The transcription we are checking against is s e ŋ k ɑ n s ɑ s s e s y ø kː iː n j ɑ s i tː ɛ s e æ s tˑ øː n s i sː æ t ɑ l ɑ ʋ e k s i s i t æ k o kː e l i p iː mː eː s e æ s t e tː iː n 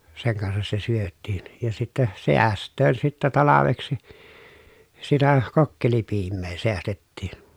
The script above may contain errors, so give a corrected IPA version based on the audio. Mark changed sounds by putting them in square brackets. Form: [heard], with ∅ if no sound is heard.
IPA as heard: s e ŋ k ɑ n s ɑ s s e s y ø [tː] iː n j ɑ s i tː ɛ s e æ s tˑ øː n s i [tː] æ t ɑ l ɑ ʋ e k s i s i t æ k o kː e l i p iː mː eː s e æ s t e tː iː n